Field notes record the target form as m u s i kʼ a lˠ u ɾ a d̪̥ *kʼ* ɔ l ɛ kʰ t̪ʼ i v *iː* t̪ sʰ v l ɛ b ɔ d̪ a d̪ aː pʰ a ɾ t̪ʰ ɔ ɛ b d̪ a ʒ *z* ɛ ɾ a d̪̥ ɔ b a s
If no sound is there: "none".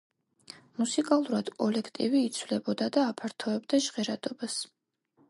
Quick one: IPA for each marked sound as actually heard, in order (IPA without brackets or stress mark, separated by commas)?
kʼ, iː, ʁ